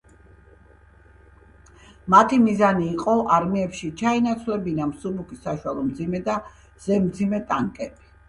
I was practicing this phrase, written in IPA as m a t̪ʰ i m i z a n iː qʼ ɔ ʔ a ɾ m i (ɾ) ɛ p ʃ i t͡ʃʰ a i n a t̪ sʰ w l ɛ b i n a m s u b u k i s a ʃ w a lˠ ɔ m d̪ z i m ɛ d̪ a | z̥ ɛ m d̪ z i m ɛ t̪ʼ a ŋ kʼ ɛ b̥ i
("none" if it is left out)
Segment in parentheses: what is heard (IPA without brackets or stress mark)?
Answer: none